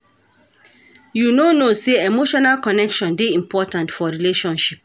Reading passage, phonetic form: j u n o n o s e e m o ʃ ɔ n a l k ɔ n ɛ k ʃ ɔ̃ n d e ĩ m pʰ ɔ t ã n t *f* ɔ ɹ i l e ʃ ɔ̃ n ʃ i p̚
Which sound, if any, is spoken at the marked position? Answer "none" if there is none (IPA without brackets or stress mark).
f